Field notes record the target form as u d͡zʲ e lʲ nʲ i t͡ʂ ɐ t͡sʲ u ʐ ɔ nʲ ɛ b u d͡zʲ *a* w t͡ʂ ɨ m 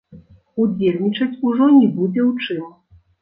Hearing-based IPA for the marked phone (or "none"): ɛ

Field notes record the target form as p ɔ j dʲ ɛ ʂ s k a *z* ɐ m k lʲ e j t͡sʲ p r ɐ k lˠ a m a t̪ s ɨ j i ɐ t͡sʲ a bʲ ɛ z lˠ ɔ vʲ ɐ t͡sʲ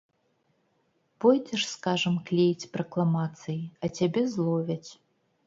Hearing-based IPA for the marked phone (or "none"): ʐ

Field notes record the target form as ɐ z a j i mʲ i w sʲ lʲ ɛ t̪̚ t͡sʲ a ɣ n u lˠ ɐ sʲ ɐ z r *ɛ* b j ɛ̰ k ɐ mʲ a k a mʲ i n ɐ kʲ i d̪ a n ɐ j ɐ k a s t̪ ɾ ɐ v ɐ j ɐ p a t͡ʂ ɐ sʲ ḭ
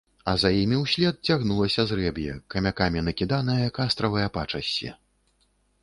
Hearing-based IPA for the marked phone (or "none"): ɛ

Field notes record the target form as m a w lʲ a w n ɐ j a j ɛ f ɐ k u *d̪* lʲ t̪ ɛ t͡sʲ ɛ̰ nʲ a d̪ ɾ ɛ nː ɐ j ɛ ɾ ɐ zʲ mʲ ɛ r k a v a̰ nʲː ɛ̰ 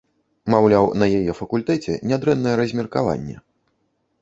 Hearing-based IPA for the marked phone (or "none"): none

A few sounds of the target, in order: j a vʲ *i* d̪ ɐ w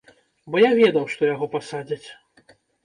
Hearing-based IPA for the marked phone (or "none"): ɛ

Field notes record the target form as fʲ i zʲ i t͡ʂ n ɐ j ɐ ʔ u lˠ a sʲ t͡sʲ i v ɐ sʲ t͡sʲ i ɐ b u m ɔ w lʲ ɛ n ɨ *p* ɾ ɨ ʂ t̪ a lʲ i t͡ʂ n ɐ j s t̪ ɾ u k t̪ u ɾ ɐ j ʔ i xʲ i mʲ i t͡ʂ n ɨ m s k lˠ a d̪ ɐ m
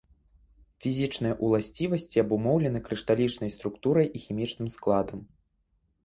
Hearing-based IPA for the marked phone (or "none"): k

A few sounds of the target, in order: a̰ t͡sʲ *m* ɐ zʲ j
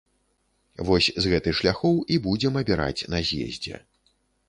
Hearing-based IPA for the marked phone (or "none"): n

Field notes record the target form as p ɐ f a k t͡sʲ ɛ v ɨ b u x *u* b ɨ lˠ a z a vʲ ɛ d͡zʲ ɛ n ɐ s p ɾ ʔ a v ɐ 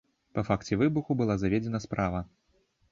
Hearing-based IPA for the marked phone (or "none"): u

